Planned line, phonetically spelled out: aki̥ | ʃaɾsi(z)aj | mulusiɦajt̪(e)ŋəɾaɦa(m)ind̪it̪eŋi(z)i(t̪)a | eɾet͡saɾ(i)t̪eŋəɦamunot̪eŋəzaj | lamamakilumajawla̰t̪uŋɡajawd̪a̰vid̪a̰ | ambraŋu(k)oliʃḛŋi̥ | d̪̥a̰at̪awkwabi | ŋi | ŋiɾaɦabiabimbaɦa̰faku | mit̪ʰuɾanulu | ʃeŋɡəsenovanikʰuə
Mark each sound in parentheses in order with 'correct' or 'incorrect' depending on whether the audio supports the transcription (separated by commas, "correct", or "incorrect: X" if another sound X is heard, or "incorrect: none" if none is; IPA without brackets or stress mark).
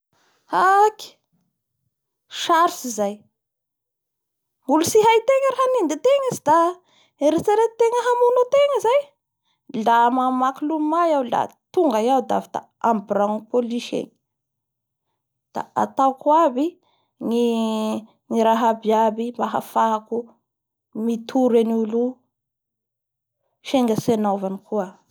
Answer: correct, correct, incorrect: n, correct, incorrect: d̪, incorrect: e, incorrect: p